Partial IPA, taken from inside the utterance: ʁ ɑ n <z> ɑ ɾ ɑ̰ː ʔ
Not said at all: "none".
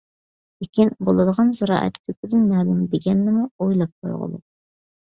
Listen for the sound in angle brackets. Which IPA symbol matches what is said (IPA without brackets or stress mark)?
z